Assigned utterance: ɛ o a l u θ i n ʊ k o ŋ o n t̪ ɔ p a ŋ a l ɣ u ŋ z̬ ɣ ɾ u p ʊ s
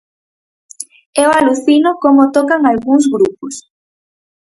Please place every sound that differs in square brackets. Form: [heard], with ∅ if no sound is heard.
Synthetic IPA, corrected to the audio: ɛ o a l u θ i n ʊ k o [m] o [∅] t̪ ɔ [k] a ŋ a l ɣ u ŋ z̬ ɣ ɾ u p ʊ s